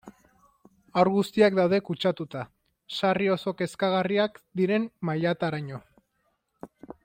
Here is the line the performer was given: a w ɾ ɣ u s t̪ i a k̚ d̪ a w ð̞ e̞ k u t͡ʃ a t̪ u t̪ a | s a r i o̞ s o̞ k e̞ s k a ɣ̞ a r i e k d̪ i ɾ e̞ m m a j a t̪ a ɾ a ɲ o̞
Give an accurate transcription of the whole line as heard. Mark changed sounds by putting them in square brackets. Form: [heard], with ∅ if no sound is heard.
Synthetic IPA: a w ɾ ɣ u s t̪ i a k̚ d̪ a w ð̞ e̞ k u t͡ʃ a t̪ u t̪ a | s a r i o̞ s o̞ k e̞ s k a ɣ̞ a r i [a] k d̪ i ɾ e̞ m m a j a t̪ a ɾ a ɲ o̞